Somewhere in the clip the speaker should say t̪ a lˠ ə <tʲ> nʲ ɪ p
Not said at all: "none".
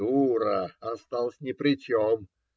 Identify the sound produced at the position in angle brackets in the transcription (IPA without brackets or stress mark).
sʲ